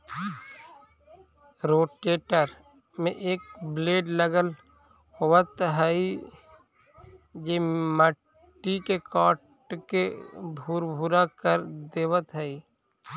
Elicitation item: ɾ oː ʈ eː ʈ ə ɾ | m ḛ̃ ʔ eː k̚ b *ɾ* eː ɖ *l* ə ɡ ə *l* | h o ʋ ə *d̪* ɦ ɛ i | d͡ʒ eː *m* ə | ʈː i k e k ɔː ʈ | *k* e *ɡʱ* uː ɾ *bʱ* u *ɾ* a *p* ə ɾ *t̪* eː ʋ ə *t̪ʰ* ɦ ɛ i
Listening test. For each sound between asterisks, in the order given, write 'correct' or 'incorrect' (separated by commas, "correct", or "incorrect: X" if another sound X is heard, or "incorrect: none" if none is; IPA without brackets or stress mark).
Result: incorrect: l, correct, correct, incorrect: t̪, correct, correct, incorrect: bʱ, correct, correct, incorrect: k, incorrect: d̪, incorrect: t̪